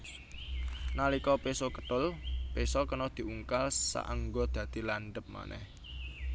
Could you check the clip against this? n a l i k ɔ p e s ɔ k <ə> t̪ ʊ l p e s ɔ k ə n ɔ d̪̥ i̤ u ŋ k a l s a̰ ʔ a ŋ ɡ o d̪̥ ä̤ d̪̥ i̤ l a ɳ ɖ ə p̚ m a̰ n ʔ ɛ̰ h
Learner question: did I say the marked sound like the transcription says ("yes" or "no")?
yes